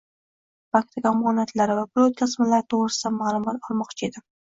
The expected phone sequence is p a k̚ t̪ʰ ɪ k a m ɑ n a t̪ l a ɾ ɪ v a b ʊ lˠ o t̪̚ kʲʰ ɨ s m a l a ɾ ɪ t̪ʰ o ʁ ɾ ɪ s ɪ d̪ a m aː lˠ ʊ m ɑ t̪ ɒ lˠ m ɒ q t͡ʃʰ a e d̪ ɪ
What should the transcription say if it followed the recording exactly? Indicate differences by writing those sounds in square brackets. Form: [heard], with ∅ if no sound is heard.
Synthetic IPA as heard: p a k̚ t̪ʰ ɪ k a m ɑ n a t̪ l a ɾ ɪ v a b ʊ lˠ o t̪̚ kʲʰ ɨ s m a l a ɾ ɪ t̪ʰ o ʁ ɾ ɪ s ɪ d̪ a m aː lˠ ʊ m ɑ t̪ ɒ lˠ m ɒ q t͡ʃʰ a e d̪ ɪ